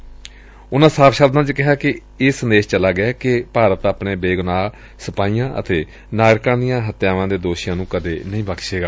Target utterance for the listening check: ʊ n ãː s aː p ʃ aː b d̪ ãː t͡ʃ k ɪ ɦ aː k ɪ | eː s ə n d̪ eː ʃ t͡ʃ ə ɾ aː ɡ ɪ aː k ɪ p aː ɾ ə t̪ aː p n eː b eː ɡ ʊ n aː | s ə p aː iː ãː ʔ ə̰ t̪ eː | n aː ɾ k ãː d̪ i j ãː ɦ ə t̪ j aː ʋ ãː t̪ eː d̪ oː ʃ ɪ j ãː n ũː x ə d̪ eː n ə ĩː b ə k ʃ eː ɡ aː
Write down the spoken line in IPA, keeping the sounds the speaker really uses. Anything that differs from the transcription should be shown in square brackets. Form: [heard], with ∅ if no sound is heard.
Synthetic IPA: ʊ n ãː s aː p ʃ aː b d̪ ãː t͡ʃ k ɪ ɦ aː k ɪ | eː s ə n d̪ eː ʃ t͡ʃ ə [l] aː ɡ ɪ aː k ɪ p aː ɾ ə t̪ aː p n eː b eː ɡ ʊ n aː | s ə p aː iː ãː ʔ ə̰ t̪ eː | n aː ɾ k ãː d̪ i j ãː ɦ ə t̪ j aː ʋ ãː [d̪] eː d̪ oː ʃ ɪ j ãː n ũː [k] ə d̪ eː n ə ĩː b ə k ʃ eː ɡ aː